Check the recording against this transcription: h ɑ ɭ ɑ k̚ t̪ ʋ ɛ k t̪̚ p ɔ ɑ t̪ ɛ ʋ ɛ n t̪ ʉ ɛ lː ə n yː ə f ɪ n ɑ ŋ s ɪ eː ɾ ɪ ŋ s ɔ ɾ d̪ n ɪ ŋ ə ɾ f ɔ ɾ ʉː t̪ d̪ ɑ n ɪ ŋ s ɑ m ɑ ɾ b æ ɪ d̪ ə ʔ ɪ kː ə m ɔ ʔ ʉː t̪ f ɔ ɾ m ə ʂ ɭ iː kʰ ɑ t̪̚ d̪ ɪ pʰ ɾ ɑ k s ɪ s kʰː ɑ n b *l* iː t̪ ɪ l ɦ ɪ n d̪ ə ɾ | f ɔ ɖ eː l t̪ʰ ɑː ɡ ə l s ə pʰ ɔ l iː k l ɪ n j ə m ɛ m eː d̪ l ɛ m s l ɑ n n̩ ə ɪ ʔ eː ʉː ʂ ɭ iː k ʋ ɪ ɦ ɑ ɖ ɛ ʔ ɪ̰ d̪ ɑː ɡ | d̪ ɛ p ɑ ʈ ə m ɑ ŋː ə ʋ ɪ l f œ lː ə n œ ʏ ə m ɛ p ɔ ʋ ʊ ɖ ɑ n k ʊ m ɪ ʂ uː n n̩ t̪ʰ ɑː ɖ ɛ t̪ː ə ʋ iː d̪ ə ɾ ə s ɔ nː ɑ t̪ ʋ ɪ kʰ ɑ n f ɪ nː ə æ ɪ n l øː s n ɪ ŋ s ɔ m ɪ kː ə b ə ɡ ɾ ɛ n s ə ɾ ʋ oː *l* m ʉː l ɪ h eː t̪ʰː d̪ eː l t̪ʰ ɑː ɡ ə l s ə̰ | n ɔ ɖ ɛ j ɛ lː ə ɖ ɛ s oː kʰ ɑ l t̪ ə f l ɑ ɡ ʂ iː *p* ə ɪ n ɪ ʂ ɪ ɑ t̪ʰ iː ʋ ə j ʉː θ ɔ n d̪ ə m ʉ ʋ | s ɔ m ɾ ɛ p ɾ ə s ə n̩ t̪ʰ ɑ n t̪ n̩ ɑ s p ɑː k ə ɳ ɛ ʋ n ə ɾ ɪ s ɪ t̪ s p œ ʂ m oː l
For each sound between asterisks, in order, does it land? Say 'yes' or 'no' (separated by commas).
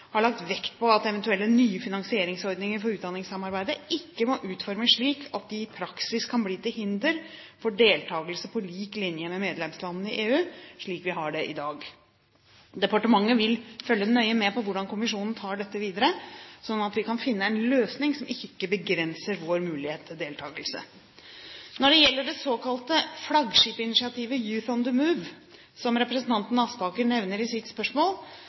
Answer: yes, no, yes